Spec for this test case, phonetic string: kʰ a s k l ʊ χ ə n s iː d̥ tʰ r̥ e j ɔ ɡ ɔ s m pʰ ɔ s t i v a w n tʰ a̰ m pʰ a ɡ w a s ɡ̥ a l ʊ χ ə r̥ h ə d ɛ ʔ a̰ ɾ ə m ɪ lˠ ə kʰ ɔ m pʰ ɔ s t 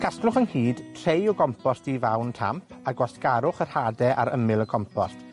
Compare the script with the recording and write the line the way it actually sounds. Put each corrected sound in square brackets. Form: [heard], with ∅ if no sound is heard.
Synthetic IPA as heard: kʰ a s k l ʊ χ ə n [h] iː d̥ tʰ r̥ e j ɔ ɡ ɔ [∅] m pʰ ɔ s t i v a w n tʰ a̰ m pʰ a ɡ w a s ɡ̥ a [ɾ] ʊ χ ə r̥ h [a] d ɛ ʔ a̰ ɾ ə m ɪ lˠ ə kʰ ɔ m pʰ ɔ s t